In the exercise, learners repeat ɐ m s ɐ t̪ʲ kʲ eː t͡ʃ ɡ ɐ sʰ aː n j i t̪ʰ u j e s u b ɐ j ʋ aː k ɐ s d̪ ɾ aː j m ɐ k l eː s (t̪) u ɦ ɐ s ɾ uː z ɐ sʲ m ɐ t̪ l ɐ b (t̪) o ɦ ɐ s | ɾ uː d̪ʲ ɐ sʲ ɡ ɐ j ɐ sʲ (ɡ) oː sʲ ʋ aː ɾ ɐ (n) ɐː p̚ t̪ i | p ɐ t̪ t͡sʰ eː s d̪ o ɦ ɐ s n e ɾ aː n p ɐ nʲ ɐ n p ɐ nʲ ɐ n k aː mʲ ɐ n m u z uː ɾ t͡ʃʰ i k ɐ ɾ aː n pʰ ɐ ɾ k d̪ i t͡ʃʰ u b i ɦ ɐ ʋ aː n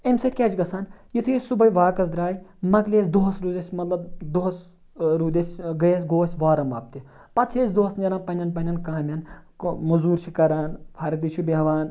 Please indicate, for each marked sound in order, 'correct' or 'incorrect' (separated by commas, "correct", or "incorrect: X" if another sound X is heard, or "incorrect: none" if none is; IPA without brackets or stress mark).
incorrect: d̪, incorrect: d̪, correct, incorrect: m